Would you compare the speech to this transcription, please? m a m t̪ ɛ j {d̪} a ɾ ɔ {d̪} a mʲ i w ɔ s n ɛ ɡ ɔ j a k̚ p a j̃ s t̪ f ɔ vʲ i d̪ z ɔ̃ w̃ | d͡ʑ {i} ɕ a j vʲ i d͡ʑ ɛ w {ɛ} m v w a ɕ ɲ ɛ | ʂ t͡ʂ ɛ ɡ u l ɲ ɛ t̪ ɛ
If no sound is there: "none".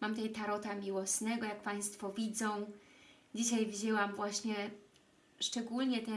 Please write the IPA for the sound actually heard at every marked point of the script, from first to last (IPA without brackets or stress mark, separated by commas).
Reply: t̪, t̪, i, a